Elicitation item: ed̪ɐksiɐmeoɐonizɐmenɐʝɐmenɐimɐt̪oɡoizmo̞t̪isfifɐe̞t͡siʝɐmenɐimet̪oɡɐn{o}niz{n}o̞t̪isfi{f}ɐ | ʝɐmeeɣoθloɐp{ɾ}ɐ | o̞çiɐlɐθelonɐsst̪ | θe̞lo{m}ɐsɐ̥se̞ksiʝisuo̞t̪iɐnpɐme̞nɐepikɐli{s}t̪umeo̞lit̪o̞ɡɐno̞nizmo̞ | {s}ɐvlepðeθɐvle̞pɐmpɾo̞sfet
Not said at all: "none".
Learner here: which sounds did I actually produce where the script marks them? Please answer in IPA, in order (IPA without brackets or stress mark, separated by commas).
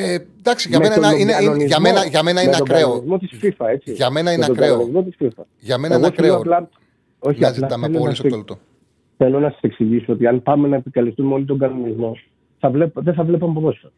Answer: o, m, f, l, n, s, θ